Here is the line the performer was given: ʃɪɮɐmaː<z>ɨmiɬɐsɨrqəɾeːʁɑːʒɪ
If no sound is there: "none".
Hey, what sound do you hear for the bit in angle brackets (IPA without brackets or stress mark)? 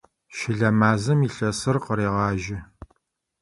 z